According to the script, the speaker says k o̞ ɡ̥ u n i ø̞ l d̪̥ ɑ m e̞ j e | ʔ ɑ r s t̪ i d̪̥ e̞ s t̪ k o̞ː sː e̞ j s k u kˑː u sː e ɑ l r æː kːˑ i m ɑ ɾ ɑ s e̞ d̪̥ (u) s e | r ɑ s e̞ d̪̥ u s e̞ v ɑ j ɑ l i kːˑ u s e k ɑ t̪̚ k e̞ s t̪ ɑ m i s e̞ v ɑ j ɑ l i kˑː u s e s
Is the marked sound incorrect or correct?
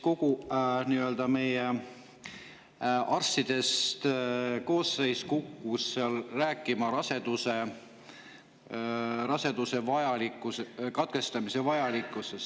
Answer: correct